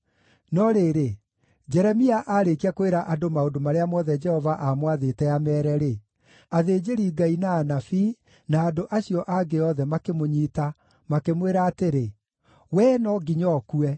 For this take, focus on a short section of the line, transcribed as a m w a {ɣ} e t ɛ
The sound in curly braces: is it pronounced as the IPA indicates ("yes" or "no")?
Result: no